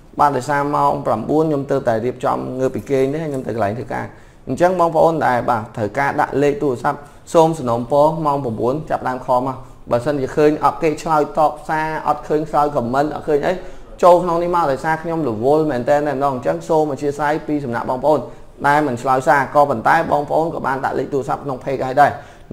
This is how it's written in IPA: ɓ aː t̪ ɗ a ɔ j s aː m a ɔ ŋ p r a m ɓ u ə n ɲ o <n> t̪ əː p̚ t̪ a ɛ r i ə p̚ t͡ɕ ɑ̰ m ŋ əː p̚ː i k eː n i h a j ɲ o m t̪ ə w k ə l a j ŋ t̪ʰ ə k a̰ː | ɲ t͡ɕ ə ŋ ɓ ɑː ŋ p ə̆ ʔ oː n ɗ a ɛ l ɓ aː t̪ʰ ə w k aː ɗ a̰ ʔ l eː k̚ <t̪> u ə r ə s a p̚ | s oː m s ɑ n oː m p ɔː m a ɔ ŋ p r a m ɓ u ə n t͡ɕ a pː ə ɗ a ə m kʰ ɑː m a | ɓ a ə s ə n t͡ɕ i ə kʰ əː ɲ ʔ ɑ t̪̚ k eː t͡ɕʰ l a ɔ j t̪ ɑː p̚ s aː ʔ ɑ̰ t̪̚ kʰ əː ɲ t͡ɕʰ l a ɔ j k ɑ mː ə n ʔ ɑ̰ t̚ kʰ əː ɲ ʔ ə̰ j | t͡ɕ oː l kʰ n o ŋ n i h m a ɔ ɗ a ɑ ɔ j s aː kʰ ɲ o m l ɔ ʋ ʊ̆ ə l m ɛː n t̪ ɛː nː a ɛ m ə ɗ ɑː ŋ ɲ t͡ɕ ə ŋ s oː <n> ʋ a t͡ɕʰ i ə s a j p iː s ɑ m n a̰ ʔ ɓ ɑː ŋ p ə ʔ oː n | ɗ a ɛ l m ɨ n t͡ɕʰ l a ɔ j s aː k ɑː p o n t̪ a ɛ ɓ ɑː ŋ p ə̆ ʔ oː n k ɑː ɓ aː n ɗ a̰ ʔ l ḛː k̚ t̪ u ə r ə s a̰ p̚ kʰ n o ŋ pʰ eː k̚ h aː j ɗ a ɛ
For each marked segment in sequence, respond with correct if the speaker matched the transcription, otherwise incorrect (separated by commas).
incorrect, correct, incorrect